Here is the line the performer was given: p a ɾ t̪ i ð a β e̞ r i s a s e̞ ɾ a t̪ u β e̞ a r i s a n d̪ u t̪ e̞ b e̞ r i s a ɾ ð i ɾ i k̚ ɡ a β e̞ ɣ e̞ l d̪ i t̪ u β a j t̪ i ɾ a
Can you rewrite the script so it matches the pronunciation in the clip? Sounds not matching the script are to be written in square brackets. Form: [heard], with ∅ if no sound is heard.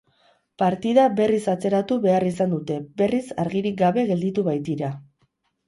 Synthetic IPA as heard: p a ɾ t̪ i ð a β e̞ r i s a [t͡s] e̞ ɾ a t̪ u β e̞ a r i s a n d̪ u t̪ e̞ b e̞ r i s a ɾ [ɣ] i ɾ i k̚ ɡ a β e̞ ɣ e̞ l d̪ i t̪ u β a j t̪ i ɾ a